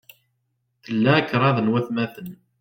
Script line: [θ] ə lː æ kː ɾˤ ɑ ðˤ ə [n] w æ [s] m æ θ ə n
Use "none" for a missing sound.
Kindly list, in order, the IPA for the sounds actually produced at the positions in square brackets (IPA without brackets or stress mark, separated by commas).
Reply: θ, n, θ